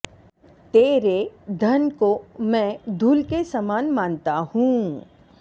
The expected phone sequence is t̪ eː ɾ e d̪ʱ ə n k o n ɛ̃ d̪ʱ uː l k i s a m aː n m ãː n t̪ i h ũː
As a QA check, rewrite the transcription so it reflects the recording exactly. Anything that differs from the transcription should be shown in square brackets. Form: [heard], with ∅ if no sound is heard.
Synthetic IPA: t̪ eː ɾ e d̪ʱ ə n k o [m] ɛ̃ d̪ʱ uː l k [e] s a m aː n m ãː n t̪ [a] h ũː